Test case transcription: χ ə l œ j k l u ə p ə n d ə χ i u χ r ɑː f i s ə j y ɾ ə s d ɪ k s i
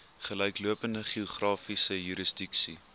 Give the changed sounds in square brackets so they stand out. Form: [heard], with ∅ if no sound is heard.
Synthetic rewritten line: χ ə l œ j k l u ə p ə n d ə χ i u χ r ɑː f i s ə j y ɾ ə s d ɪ k s i